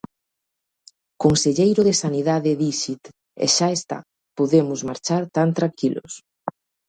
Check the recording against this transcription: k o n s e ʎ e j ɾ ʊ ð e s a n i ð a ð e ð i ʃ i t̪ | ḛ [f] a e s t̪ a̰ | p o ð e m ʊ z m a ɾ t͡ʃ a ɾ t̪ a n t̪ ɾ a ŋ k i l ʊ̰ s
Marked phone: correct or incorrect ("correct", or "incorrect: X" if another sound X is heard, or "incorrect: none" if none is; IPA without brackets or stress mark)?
incorrect: ʃ